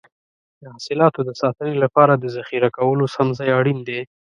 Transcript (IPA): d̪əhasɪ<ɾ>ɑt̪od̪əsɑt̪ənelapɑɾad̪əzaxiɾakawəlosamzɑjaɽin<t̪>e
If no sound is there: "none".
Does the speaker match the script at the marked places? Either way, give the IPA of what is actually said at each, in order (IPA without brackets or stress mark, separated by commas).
l, d̪